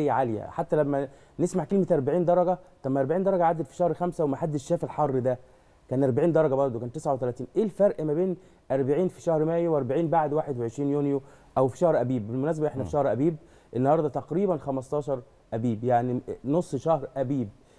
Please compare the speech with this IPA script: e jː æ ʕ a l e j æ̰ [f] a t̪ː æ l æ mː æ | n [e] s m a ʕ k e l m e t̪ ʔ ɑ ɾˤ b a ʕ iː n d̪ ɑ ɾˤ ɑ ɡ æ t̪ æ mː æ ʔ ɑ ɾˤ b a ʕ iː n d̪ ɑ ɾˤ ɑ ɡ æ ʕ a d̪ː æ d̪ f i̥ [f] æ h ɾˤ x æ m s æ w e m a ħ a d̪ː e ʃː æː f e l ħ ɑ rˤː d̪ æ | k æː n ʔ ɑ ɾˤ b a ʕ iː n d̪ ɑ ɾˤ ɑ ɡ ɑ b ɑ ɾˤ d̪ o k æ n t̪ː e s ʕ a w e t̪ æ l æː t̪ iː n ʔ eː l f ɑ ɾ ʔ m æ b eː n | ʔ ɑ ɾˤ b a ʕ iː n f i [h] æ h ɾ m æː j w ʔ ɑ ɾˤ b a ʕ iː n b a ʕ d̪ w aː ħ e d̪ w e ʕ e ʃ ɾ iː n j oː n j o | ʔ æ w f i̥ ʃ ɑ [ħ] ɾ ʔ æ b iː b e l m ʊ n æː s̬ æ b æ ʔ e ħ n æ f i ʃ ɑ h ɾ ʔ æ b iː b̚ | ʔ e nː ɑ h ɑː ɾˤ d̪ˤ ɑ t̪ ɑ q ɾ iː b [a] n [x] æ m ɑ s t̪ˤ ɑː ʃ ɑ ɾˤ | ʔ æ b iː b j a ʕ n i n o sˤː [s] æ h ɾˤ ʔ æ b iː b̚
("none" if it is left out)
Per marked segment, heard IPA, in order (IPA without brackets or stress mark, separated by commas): ħ, e, ʃ, ʃ, h, æ, x, ʃ